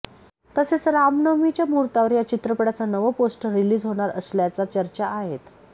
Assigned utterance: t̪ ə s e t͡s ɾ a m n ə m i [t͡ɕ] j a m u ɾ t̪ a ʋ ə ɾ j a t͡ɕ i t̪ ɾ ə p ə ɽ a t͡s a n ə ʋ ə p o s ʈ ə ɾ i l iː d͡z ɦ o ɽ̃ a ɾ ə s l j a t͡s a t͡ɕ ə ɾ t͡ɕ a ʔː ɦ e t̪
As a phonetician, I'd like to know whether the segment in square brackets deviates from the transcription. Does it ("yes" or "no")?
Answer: no